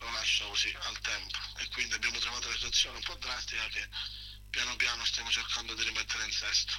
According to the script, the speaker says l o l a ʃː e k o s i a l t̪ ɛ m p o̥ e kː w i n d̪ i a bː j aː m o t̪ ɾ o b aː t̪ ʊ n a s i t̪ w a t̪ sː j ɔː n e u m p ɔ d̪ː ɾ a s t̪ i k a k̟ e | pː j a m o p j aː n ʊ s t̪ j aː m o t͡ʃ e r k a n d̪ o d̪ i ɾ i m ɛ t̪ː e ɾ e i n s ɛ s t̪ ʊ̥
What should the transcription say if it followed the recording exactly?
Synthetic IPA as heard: l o l a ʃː a k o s i a l t̪ ɛ m p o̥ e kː w i n d̪ i a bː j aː m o t̪ ɾ o v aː t̪ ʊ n a s i t̪ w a t̪ sː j ɔː n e u m p ɔ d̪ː ɾ a s t̪ i k a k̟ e | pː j a n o p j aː n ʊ s t̪ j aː m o t͡ʃ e r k a n d̪ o d̪ i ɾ i m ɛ t̪ː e ɾ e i n s ɛ s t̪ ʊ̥